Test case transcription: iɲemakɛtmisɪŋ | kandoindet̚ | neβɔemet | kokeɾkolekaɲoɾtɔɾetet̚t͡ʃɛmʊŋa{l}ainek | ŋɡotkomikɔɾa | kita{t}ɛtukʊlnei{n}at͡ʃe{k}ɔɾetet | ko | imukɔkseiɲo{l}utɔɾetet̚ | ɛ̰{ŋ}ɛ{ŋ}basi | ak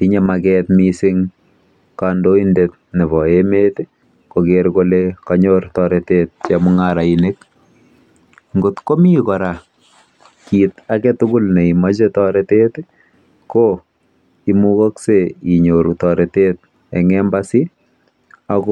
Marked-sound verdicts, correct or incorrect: incorrect, incorrect, incorrect, incorrect, incorrect, correct, incorrect

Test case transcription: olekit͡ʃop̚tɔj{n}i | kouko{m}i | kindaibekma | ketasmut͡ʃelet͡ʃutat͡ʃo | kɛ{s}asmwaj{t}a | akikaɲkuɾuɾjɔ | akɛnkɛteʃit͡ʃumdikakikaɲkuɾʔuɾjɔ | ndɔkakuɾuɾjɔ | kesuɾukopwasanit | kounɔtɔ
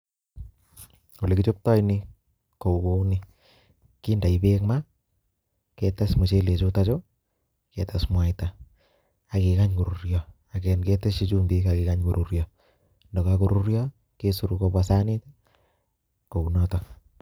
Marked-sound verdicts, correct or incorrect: correct, incorrect, incorrect, correct

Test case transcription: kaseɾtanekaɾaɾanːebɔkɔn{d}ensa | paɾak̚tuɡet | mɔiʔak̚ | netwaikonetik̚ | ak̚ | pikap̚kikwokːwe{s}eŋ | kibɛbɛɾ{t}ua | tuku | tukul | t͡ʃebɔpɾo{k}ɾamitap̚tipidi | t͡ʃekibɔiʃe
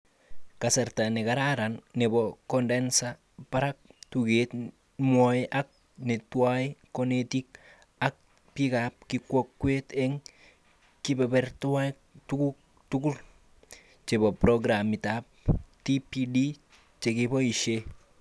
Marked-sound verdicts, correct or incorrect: correct, incorrect, correct, incorrect

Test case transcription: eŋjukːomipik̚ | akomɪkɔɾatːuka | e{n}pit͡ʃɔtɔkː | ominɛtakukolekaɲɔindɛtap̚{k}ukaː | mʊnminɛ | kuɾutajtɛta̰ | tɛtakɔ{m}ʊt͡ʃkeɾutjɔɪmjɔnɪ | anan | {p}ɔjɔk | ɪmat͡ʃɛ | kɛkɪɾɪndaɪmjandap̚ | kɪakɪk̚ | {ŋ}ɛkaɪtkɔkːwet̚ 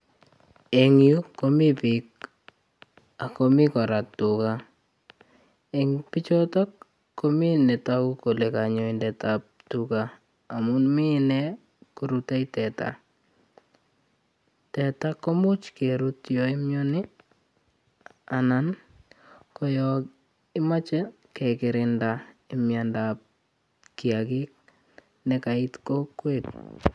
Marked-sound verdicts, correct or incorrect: incorrect, incorrect, correct, incorrect, incorrect

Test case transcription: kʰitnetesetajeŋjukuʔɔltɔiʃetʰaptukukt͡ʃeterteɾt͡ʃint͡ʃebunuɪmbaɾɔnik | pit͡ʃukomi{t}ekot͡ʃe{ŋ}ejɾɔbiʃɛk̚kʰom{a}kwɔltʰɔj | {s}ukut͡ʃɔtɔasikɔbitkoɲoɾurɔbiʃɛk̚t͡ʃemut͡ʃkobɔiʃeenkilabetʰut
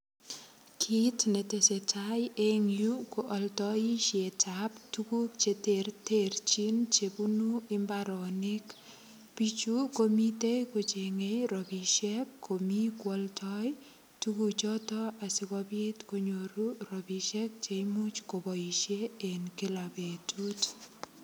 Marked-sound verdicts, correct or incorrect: correct, correct, incorrect, incorrect

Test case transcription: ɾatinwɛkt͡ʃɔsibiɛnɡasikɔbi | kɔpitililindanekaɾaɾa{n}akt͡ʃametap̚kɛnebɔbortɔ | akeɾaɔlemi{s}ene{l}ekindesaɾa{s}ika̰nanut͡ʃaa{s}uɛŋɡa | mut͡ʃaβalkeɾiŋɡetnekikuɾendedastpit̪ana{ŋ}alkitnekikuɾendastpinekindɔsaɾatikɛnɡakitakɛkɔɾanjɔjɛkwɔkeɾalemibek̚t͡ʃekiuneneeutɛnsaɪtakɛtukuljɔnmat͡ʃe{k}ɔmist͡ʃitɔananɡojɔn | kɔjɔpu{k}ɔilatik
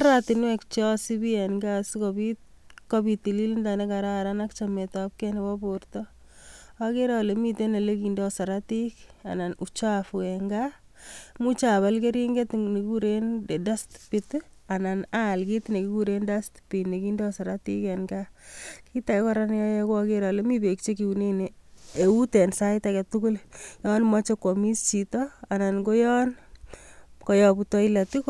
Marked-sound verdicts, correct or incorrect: correct, incorrect, correct, incorrect, incorrect, incorrect, correct, incorrect

